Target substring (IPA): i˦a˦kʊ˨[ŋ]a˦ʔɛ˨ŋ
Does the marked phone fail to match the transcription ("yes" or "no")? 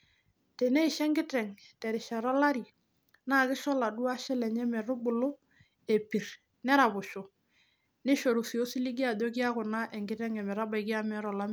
yes